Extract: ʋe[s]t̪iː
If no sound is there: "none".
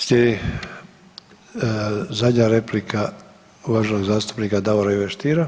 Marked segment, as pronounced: ʃ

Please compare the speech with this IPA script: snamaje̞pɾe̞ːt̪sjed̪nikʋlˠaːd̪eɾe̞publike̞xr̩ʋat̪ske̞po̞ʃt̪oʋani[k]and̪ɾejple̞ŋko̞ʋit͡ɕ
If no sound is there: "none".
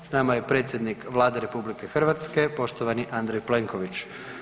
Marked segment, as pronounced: ʔ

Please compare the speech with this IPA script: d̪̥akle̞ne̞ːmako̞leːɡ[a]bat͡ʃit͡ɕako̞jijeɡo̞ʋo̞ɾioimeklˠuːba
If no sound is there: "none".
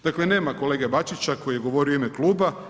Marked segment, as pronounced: e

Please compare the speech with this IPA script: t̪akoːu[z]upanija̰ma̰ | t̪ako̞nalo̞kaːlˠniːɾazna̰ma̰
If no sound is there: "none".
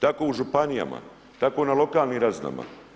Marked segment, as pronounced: ʒ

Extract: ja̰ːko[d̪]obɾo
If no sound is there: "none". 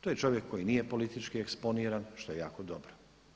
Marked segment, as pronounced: d̪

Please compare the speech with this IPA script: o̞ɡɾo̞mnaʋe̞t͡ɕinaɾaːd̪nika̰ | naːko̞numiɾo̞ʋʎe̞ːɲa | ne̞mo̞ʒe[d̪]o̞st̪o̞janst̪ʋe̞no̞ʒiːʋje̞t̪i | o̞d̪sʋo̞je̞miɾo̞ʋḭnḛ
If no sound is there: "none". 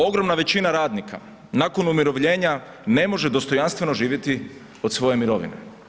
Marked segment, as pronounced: d̪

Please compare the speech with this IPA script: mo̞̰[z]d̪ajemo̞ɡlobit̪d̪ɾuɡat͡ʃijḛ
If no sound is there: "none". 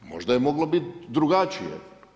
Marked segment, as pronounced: ʒ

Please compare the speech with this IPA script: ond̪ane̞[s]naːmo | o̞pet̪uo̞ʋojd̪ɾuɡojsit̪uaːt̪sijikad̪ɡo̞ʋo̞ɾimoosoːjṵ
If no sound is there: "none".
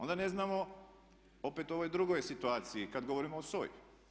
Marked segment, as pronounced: z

